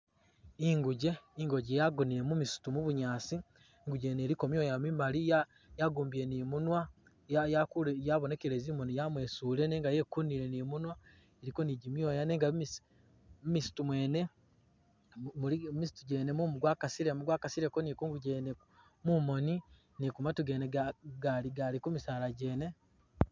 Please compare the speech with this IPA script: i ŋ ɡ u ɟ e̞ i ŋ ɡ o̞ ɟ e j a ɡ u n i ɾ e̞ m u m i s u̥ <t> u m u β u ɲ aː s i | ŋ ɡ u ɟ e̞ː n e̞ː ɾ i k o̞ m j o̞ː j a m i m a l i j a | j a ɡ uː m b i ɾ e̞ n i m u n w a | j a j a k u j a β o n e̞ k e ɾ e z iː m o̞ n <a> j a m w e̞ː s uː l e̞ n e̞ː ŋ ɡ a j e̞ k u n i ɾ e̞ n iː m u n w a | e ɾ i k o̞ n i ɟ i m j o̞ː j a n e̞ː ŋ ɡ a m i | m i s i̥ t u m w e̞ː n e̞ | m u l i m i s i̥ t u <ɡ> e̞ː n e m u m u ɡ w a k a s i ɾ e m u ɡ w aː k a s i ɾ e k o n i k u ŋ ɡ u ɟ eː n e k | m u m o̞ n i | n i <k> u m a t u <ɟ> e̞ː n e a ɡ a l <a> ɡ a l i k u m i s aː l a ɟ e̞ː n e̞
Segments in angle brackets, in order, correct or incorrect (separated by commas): correct, incorrect, incorrect, correct, incorrect, incorrect